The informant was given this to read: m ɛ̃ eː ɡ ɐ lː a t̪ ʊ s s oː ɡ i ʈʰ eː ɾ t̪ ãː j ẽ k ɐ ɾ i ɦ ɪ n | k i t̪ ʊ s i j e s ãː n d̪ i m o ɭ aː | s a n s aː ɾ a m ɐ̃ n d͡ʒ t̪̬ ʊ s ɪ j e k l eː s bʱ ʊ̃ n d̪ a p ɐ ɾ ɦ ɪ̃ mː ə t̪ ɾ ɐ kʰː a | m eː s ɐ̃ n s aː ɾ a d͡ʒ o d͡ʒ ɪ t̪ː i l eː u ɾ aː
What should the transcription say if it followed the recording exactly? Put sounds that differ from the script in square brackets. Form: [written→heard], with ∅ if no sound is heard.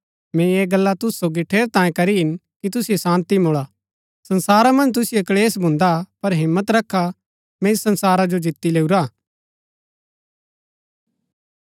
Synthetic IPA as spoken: m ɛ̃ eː ɡ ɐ lː a t̪ ʊ s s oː ɡ i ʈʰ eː ɾ t̪ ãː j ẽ k ɐ ɾ i ɦ ɪ n | k i t̪ ʊ s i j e s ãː n [d̪→t̪] i m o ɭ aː | s [a→ɐ] n s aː ɾ a m ɐ̃ n d͡ʒ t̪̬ ʊ s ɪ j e k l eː s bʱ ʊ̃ n d̪ a p ɐ ɾ ɦ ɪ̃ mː ə t̪ ɾ ɐ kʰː a | m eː s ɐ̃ n s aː ɾ a d͡ʒ o d͡ʒ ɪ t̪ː i l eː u ɾ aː